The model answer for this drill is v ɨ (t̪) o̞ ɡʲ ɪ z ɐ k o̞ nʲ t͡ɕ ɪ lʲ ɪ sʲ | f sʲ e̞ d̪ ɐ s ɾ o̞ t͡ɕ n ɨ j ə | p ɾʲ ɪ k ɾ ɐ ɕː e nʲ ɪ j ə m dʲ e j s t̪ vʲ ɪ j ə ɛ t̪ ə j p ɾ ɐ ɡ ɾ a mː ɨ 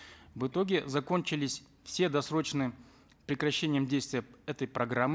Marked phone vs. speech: correct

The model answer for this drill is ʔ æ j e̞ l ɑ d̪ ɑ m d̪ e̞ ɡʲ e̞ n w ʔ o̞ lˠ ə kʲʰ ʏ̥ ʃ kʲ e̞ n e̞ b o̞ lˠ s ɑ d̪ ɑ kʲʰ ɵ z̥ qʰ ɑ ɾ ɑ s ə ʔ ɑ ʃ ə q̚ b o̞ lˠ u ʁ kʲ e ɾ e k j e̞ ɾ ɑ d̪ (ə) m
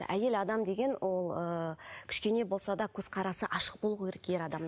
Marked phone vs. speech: incorrect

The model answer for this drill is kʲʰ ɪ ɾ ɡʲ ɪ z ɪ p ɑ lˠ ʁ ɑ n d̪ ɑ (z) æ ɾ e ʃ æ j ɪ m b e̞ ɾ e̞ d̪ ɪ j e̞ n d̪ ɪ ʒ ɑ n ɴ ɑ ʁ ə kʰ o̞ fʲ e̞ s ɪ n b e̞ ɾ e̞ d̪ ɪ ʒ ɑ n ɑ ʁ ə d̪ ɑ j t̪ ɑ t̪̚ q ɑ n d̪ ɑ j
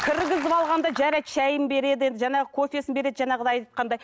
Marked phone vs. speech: incorrect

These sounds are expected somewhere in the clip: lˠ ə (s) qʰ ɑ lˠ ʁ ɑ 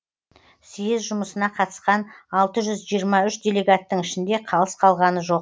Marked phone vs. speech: correct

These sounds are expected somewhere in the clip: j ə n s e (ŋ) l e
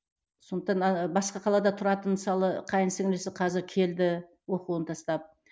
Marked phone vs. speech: correct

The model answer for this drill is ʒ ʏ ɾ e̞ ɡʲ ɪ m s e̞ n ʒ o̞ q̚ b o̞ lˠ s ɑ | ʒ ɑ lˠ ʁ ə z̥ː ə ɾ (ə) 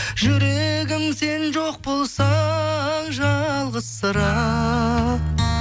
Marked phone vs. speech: incorrect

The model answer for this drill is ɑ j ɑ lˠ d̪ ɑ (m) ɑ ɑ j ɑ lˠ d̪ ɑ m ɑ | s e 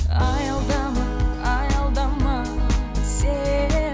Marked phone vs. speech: correct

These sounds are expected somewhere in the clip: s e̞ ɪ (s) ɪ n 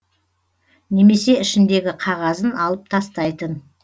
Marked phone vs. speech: incorrect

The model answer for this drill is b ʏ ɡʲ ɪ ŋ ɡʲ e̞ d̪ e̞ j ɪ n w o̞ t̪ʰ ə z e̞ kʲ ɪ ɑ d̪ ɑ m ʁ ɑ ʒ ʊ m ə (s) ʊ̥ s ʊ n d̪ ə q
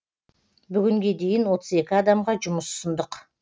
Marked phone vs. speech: correct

